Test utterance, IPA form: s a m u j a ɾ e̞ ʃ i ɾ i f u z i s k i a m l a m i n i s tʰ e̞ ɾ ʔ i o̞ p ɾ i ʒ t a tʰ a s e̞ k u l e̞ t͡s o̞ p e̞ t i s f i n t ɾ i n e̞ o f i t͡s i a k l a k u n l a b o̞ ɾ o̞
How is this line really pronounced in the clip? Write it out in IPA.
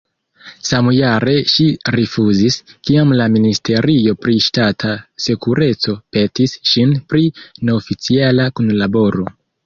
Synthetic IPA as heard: s a m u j a ɾ e̞ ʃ i ɾ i f u z i s k i a m l a m i n i s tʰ e̞ ɾ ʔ i o̞ p ɾ i ʃ t a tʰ a s e̞ k u ɾ e̞ t͡s o̞ p e̞ t i s ʃ i n p ɾ i n e̞ o f i t͡s i a l a k u n l a b o̞ ɾ o̞

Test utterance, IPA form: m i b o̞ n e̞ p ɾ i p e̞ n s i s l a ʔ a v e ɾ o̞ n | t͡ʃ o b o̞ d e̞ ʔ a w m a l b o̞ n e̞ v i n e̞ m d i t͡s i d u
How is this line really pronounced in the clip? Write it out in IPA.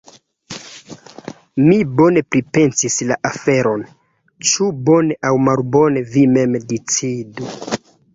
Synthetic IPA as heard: m i b o̞ n e̞ p ɾ i p e̞ n s i s l a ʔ a f e ɾ o̞ n | t͡ʃ u b o̞ n e̞ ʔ a w m a l b o̞ n e̞ v i m e̞ m d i t͡s i d u

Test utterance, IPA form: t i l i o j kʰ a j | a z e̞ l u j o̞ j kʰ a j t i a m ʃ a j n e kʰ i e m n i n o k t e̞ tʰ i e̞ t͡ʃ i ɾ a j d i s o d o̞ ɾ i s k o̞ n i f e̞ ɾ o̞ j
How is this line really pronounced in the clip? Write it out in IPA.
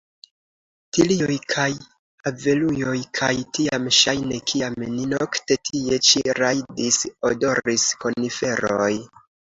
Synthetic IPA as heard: t i l i o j kʰ a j | a v e̞ l u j o̞ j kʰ a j t i a m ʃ a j n e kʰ i a m n i n o k t e̞ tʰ i e̞ t͡ʃ i ɾ a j d i s o d o̞ ɾ i s k o̞ n i f e̞ ɾ o̞ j

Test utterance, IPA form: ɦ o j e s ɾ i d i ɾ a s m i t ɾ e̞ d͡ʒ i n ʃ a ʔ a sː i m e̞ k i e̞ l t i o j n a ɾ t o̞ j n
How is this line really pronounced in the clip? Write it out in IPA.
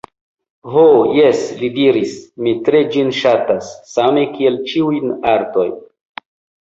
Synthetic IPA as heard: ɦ o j e s l i d i ɾ i s m i t ɾ e̞ d͡ʒ i n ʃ a t a sː a m e̞ k i e̞ l t͡ʃ i u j n a ɾ t o̞ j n

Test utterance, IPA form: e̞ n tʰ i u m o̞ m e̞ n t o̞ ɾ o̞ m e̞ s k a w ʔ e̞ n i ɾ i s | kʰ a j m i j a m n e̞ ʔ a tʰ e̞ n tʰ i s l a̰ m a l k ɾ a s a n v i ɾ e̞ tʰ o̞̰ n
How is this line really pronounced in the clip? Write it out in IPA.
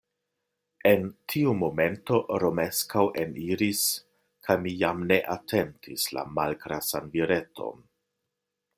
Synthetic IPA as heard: e̞ n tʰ i u m o̞ m e̞ n t o̞ ɾ o̞ m e̞ s k a w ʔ e̞ n i ɾ i s | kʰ a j m i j a m n e̞ ʔ a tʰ e̞ n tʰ i s l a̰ m a l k ɾ a s a n v i ɾ e̞ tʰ o̞̰ n

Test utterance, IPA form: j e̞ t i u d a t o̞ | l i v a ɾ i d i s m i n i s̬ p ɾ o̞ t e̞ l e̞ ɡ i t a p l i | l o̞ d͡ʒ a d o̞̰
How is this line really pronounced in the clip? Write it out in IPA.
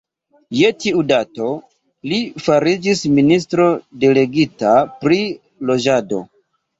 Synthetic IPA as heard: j e̞ t i u d a t o̞ | l i f a ɾ i d͡ʒ i s m i n i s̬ t ɾ o̞ d e̞ l e̞ ɡ i t a p ɾ i | l o̞ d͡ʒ a d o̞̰

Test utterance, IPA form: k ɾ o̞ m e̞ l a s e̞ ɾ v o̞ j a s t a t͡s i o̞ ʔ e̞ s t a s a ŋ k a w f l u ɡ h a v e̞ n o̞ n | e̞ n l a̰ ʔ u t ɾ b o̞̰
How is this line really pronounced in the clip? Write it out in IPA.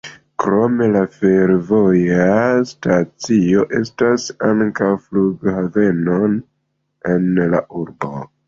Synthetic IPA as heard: k ɾ o̞ m e̞ l a f e̞ ɾ v o̞ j a s t a t͡s i o̞ ʔ e̞ s t a s a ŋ k a w f l u ɡ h a v e̞ n o̞ n | e̞ n l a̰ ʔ u ɾ b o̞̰

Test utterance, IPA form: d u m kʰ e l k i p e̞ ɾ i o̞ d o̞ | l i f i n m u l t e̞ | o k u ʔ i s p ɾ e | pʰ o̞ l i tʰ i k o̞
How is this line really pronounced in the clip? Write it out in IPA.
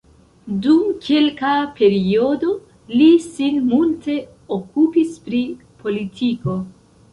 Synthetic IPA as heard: d u m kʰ e l k a p e̞ ɾ i o̞ d o̞ | l i s i n m u l t e̞ | o k u p i s p ɾ i | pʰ o̞ l i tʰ i k o̞

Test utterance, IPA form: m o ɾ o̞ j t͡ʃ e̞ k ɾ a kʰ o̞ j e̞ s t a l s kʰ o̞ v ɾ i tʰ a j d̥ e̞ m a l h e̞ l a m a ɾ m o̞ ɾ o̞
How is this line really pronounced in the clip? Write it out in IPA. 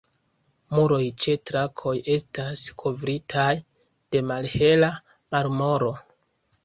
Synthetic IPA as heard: m u ɾ o̞ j t͡ʃ e̞ t ɾ a kʰ o̞ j e̞ s t a s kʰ o̞ v ɾ i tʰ a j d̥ e̞ m a l h e̞ l a m a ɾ m o̞ ɾ o̞

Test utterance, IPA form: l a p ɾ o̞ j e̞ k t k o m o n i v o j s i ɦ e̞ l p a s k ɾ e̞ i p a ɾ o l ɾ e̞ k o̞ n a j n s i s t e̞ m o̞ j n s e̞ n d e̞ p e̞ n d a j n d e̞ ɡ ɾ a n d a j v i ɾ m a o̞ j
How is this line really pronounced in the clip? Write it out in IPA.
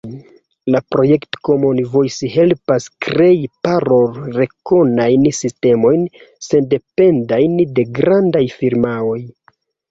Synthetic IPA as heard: l a p ɾ o̞ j e̞ k t k o m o n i v o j s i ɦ e̞ l p a s k ɾ e̞ i p a ɾ o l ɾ e̞ k o̞ n a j n s i s t e̞ m o̞ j n s e̞ n d e̞ p e̞ n d a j n d e̞ ɡ ɾ a n d a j f i ɾ m a o̞ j

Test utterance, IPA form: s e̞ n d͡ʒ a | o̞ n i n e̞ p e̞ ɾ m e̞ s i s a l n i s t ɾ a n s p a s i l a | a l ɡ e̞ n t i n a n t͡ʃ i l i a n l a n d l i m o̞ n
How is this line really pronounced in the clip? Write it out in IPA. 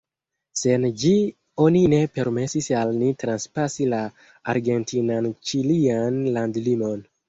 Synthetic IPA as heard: s e̞ n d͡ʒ i | o̞ n i n e̞ p e̞ ɾ m e̞ s i s a l n i t ɾ a n s p a s i l a | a ɾ ɡ e̞ n t i n a n t͡ʃ i l i a n l a n d l i m o̞ n

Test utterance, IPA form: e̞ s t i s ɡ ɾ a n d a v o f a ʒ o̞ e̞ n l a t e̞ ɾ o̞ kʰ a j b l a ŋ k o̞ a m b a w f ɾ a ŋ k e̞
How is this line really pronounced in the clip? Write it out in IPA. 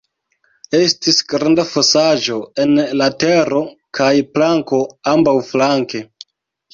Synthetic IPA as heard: e̞ s t i s ɡ ɾ a n d a f o s a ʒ o̞ e̞ n l a t e̞ ɾ o̞ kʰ a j p l a ŋ k o̞ a m b a w f l a ŋ k e̞

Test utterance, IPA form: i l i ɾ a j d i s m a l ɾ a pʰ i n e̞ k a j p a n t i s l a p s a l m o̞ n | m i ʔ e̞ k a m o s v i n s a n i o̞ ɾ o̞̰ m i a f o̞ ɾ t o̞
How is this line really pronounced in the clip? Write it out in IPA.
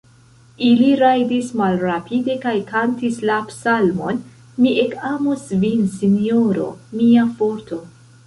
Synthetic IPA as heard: i l i ɾ a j d i s m a l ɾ a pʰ i d e̞ k a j k a n t i s l a p s a l m o̞ n | m i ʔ e̞ k a m o s v i n s i n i o̞ ɾ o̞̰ m i a f o̞ ɾ t o̞

